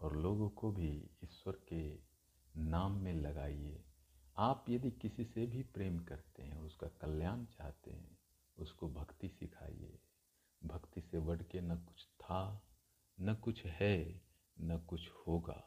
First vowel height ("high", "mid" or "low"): mid